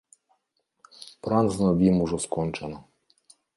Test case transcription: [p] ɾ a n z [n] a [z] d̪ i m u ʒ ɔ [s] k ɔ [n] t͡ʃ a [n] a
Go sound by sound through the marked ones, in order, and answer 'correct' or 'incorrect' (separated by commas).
correct, correct, incorrect, correct, correct, correct